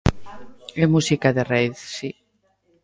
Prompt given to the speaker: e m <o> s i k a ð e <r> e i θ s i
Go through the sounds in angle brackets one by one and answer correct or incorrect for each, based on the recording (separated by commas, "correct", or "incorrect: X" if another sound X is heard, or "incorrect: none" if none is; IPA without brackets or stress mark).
incorrect: u, correct